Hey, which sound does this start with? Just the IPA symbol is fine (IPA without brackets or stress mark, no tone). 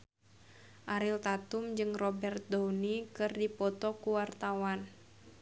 ʔ